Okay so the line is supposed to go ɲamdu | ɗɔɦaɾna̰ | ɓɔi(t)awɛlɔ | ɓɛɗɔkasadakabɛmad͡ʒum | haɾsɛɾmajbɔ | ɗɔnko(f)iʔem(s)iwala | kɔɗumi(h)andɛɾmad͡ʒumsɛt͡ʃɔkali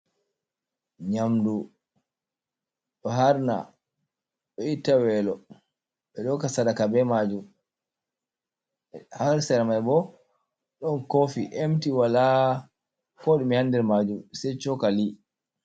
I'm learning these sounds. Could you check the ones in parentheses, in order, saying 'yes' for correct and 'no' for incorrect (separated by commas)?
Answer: yes, yes, no, yes